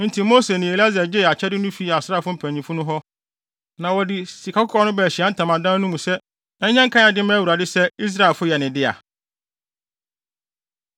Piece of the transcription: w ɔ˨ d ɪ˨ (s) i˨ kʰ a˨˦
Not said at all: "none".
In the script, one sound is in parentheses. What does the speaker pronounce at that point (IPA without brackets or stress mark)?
s